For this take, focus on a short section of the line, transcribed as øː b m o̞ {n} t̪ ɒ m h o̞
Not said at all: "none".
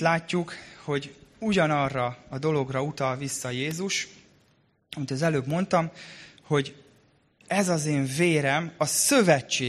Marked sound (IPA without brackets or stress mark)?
n